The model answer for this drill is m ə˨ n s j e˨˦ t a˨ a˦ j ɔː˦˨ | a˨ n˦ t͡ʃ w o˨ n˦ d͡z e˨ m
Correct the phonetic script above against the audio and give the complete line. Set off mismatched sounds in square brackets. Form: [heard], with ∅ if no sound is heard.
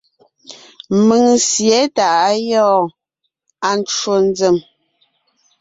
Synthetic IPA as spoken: m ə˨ [ŋ] s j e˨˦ t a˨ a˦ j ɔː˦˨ | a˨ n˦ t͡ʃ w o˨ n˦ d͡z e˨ m